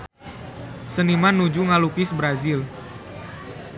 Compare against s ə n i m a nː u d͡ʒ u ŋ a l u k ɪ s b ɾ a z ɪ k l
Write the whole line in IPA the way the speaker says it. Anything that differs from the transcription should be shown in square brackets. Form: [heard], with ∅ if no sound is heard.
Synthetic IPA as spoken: s ə n i m a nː u d͡ʒ u ŋ a l u k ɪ s b ɾ a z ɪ [∅] l

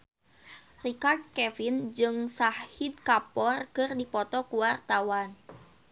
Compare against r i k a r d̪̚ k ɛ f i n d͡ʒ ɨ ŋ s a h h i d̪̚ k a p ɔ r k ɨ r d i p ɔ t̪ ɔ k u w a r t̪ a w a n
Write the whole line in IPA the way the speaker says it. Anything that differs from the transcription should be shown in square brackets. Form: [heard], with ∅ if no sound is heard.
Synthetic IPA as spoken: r i k a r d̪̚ k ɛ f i n d͡ʒ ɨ ŋ s a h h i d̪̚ k a p ɔ r k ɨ r d i p ɔ t̪ ɔ k u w a r t̪ a w a n

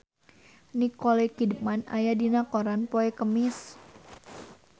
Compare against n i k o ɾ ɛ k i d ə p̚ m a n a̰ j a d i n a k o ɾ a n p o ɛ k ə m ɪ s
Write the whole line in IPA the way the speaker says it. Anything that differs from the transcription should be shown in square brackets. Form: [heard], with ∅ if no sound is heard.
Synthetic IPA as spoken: n i k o [l] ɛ k i d ə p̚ m a n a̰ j a d i n a k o ɾ a n p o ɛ k ə m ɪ s

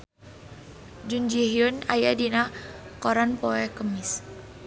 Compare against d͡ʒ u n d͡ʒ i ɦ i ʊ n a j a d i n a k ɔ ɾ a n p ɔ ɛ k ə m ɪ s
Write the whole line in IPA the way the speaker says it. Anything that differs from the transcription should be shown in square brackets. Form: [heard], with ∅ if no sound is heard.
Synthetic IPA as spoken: d͡ʒ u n d͡ʒ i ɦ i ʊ n a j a d i n a k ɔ ɾ a n p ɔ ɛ k ə m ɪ s

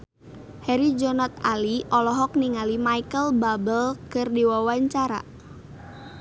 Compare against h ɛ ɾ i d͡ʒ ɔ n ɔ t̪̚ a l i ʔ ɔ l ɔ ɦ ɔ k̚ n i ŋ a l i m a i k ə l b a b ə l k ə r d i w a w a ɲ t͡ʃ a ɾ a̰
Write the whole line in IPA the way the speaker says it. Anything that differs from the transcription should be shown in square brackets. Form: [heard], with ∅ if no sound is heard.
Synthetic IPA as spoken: h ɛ ɾ i d͡ʒ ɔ n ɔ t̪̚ a l i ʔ ɔ l ɔ ɦ ɔ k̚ n i ŋ a l i m a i k ə l b a b ə l k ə r d i w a w a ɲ t͡ʃ a ɾ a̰

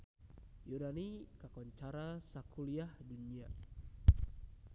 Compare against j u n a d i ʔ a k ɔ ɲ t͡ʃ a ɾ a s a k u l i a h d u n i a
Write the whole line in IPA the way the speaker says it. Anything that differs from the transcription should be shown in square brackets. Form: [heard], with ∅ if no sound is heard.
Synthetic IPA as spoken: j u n a [n] i [k] a k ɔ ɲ t͡ʃ a ɾ a s a k u l i a h d u n i a

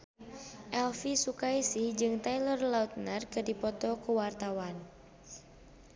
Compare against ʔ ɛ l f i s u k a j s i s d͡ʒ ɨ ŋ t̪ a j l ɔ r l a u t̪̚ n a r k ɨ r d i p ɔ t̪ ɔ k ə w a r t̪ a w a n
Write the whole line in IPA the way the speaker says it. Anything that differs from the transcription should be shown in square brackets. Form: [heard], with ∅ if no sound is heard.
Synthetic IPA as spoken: ʔ ɛ l f i s u k a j s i [h] d͡ʒ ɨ ŋ t̪ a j l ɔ r l a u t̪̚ n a r k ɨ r d i p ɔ t̪ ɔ k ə w a r t̪ a w a n

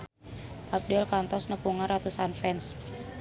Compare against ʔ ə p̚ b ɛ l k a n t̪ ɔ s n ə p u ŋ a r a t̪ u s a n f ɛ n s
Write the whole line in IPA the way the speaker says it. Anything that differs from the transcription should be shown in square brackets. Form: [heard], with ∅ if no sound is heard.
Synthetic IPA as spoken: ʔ [a] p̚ [d] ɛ l k a n t̪ ɔ s n ə p u ŋ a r a t̪ u s a n f ɛ n s

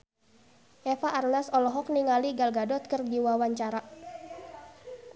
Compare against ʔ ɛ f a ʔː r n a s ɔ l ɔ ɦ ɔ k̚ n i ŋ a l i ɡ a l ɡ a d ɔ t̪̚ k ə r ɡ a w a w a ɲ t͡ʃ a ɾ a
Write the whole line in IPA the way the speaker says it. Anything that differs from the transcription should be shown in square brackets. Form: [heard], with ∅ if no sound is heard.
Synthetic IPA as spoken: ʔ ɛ f a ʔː r n a s ɔ l ɔ ɦ ɔ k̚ n i ŋ a l i ɡ a l ɡ a d ɔ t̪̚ k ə r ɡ [i] w a w a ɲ t͡ʃ a ɾ a

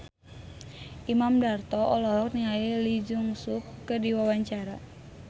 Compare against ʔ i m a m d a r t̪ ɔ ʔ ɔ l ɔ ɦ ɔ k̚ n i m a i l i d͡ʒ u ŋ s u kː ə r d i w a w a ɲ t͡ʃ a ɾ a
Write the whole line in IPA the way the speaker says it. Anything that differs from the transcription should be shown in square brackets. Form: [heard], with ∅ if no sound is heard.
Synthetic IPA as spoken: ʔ i m a m d a r t̪ ɔ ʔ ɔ l ɔ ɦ ɔ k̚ n i [ŋ] a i l i d͡ʒ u ŋ s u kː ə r d i w a w a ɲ t͡ʃ a ɾ a

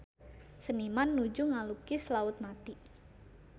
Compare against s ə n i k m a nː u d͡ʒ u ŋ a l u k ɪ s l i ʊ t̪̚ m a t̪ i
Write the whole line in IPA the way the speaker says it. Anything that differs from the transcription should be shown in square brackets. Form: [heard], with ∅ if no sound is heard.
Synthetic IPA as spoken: s ə n i [∅] m a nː u d͡ʒ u ŋ a l u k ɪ s l [a] ʊ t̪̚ m a t̪ i

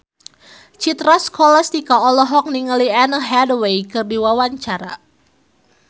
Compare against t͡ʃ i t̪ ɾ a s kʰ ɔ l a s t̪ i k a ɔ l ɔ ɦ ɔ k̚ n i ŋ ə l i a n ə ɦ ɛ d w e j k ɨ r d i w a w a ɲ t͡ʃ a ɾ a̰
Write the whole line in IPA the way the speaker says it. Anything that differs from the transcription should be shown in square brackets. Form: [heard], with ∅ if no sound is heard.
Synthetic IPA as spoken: t͡ʃ i t̪ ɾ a s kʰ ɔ l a s t̪ i k a ɔ l ɔ ɦ ɔ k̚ n i ŋ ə l i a n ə ɦ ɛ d w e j k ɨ r d i w a w a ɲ t͡ʃ a ɾ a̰

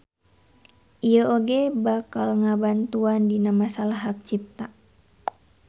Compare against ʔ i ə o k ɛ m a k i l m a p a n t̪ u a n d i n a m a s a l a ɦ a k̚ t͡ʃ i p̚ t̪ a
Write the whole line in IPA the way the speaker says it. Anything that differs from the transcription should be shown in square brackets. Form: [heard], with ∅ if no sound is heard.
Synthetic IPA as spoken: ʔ i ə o [ɡ] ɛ [b] a k [a] l [ŋ] a [b] a n t̪ u a n d i n a m a s a l a ɦ a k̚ t͡ʃ i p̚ t̪ a

